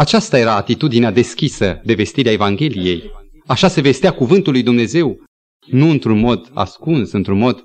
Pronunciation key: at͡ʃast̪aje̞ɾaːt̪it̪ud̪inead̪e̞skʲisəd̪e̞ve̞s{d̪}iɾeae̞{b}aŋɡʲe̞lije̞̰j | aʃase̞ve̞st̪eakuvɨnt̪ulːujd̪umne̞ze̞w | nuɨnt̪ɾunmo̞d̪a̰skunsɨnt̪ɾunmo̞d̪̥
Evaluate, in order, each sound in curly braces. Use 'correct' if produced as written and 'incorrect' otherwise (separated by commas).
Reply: incorrect, incorrect